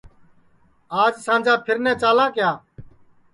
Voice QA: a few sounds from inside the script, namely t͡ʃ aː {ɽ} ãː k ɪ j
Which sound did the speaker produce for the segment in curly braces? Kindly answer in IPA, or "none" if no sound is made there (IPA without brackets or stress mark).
l